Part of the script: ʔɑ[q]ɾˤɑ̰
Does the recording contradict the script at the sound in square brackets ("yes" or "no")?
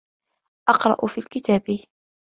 no